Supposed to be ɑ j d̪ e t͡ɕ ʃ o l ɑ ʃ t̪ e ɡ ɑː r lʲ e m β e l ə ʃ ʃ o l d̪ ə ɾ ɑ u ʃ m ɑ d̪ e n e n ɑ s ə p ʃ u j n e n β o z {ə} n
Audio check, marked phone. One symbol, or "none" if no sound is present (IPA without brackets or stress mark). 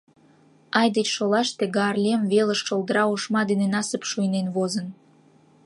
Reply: ə